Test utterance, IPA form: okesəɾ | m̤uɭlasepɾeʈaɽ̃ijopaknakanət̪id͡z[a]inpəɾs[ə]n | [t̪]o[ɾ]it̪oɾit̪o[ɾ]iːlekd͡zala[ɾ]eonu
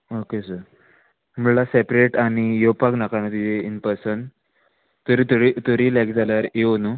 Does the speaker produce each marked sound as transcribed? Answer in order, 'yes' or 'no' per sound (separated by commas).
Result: no, yes, yes, yes, yes, yes